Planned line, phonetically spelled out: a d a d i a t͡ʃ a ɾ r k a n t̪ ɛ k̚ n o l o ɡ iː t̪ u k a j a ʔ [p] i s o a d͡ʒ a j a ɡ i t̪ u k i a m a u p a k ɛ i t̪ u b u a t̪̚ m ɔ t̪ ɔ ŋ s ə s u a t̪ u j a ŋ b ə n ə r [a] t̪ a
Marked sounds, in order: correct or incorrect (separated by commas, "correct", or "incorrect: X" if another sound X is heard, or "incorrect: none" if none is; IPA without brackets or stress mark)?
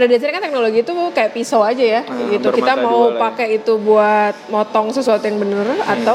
correct, correct